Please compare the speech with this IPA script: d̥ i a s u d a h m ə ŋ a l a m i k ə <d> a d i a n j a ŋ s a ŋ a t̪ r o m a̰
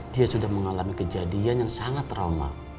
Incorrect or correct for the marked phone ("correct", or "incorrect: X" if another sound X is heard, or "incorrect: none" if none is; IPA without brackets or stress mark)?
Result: incorrect: d͡ʒ